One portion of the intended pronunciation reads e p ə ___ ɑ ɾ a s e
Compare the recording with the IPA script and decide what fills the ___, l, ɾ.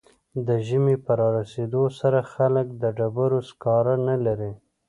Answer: ɾ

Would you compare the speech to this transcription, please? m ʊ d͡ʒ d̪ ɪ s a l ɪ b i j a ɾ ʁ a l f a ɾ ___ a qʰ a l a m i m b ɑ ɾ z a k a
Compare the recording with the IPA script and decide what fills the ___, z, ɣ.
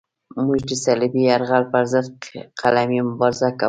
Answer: z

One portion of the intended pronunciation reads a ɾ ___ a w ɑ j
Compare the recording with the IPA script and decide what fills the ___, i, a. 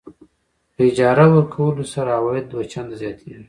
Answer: a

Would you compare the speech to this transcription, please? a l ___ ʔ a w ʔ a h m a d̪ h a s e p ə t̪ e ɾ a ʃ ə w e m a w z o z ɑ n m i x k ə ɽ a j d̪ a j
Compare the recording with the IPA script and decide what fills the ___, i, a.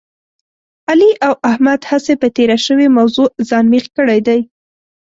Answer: i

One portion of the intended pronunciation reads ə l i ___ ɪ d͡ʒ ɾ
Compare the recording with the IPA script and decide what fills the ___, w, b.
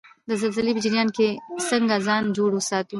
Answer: b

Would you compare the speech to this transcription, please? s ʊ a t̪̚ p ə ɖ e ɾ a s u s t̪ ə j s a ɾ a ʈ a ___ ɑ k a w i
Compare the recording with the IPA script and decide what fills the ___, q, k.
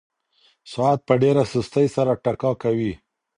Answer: k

